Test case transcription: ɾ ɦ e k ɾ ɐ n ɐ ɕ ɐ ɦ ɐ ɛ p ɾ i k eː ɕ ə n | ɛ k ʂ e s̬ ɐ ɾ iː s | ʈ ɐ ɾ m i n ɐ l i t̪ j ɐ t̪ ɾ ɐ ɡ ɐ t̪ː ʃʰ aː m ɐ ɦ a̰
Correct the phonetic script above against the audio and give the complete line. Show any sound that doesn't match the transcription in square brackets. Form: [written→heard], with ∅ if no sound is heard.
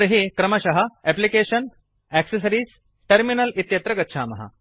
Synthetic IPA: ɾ ɦ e k ɾ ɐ [n→m] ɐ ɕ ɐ ɦ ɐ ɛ p [ɾ→l] i k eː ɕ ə n | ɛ k [ʂ→s] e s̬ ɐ ɾ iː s | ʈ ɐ ɾ m i n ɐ l i t̪ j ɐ t̪ ɾ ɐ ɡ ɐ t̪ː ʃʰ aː m ɐ ɦ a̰